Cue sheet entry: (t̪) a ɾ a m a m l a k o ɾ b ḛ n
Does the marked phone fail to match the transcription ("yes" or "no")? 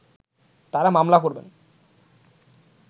no